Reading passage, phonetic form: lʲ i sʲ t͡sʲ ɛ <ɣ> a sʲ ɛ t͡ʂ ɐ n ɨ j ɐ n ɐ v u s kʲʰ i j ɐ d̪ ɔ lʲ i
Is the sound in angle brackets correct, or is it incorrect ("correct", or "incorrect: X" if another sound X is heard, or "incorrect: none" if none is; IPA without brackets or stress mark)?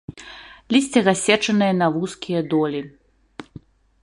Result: correct